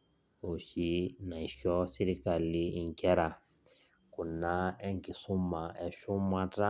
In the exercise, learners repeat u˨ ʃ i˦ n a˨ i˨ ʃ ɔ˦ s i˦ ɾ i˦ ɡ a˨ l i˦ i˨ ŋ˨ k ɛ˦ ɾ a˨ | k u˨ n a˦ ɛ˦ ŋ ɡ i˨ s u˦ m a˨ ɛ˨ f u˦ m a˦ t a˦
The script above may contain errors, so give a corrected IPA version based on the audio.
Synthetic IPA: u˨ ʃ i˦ n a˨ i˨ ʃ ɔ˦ s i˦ ɾ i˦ k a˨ l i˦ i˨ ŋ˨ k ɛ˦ ɾ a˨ | k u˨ n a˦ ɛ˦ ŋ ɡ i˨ s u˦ m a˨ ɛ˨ ʃ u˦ m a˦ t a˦